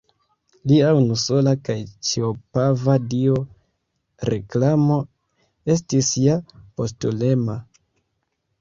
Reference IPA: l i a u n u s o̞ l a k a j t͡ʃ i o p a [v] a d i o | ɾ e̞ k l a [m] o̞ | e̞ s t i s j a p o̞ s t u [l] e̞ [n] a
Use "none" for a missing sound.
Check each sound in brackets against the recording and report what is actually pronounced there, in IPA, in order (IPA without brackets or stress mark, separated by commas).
v, m, l, m